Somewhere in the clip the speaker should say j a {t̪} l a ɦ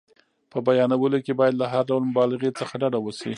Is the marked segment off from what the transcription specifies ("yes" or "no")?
yes